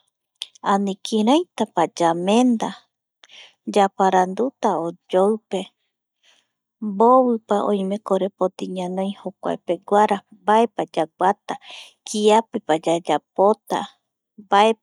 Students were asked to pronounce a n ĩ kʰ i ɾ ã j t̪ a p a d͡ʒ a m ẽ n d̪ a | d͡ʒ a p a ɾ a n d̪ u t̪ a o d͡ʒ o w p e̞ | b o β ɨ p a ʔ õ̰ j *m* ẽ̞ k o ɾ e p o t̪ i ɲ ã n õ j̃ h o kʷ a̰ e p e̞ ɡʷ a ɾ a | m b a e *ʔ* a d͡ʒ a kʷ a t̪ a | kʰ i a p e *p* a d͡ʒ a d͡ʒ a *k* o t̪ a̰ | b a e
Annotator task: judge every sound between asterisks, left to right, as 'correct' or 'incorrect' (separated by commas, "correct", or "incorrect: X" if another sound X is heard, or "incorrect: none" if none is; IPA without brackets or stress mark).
correct, incorrect: p, correct, incorrect: p